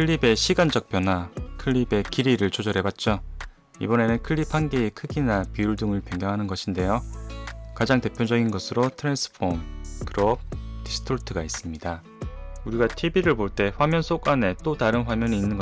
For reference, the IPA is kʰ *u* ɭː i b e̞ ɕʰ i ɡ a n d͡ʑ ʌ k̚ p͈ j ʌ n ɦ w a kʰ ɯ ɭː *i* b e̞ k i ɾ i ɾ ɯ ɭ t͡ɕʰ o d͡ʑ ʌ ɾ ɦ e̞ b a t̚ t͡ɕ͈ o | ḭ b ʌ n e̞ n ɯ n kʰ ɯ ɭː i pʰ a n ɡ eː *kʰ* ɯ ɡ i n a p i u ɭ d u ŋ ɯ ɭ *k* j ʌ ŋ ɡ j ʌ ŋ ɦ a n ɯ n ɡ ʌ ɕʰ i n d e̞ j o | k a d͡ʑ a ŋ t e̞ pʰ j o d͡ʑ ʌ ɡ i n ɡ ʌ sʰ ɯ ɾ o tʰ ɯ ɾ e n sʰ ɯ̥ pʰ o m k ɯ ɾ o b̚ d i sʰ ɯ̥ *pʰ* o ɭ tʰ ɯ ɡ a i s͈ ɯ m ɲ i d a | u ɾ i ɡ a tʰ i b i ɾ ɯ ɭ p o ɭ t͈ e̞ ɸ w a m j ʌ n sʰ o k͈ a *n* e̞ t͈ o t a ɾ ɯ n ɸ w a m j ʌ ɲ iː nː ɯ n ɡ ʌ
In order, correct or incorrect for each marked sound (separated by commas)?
incorrect, correct, correct, incorrect, incorrect, correct